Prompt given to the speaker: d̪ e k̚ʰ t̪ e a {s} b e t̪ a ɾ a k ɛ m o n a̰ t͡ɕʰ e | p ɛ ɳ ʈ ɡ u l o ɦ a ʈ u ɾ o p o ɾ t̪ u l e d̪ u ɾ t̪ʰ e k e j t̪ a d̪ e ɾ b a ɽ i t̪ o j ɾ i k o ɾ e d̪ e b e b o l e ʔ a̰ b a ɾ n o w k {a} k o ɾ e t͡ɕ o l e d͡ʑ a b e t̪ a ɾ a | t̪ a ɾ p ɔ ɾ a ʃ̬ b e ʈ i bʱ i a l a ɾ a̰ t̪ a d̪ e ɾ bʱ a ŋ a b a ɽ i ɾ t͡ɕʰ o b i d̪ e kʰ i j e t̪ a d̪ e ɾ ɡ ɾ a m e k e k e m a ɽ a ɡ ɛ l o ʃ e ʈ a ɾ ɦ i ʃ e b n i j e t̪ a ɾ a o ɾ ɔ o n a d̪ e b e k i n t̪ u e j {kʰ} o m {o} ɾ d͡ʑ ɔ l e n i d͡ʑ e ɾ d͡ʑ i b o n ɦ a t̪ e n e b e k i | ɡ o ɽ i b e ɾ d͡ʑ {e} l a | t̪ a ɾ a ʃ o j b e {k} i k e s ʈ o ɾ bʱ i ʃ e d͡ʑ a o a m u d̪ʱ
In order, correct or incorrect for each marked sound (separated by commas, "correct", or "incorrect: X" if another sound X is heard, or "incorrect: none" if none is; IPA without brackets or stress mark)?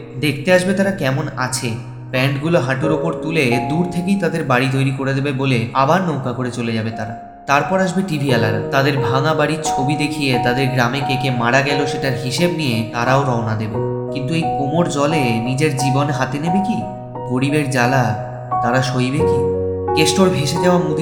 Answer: incorrect: ʃ, correct, incorrect: k, correct, incorrect: a, correct